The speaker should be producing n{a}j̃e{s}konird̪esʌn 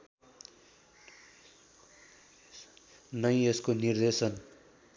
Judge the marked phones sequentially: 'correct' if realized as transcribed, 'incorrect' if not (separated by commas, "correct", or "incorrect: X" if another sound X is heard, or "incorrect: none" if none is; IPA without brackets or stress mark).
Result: incorrect: ʌ, correct